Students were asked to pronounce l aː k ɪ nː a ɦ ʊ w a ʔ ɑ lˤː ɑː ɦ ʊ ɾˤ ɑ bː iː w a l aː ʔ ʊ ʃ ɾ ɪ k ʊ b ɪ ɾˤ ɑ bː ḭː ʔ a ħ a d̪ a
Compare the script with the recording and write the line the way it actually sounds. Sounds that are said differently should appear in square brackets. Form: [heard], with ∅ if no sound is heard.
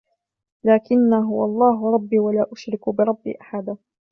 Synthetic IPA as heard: l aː k ɪ nː a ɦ ʊ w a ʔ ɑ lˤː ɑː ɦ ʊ ɾˤ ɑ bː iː w a l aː ʔ ʊ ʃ ɾ ɪ k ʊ b ɪ ɾˤ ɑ bː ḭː ʔ a ħ a d̪ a